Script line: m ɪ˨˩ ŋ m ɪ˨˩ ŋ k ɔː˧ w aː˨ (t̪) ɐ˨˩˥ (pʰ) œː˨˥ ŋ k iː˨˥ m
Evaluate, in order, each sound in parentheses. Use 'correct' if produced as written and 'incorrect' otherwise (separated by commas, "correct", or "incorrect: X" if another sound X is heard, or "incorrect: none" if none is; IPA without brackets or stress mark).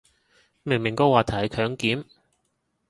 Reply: incorrect: t̪ʰ, incorrect: kʰ